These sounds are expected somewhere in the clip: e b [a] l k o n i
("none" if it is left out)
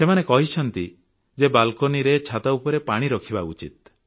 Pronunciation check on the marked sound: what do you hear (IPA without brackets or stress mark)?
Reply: a